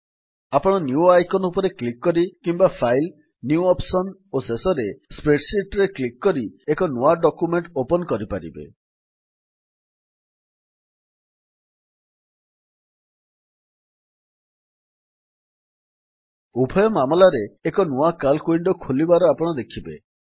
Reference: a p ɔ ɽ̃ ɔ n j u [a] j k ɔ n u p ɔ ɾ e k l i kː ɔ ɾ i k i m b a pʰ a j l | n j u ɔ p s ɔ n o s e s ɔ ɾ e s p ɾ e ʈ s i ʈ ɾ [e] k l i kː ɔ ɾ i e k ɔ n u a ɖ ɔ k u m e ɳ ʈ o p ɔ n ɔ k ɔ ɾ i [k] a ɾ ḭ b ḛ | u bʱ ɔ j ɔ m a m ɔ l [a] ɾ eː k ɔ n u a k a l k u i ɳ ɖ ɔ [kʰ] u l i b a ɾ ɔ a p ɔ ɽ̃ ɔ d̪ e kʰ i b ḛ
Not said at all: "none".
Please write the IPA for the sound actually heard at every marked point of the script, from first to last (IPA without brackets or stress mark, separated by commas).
a, e, p, a, kʰ